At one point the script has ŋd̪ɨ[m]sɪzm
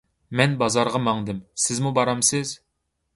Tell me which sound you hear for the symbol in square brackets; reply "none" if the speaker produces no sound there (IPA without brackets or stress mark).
m